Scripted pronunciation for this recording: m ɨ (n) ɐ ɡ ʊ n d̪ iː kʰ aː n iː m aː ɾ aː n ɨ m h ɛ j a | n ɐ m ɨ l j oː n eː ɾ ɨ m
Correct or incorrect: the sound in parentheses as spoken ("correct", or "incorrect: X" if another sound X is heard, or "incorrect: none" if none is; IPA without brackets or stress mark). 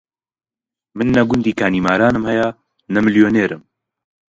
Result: incorrect: nː